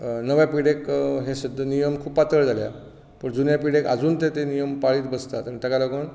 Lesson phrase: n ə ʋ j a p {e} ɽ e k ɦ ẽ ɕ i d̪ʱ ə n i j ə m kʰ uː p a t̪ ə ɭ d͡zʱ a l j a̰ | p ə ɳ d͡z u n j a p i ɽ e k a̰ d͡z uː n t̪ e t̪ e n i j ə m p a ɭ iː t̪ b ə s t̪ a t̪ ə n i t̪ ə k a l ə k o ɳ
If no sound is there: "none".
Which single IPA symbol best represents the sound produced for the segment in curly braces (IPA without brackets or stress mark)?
i